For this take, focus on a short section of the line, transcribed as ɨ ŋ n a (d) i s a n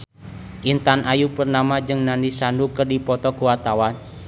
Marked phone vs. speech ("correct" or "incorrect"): incorrect